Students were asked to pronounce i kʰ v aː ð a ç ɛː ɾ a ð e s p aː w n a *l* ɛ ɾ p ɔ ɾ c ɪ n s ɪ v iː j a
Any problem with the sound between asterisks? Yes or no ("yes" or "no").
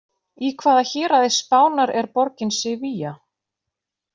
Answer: yes